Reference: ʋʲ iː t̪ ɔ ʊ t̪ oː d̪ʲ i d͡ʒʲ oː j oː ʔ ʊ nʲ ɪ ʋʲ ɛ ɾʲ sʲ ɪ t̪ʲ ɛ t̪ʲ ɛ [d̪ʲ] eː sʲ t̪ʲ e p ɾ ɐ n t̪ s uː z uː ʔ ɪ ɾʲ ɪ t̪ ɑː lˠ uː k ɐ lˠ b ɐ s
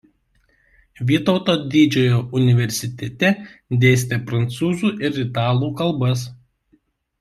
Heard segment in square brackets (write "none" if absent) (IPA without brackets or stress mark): d̪ʲ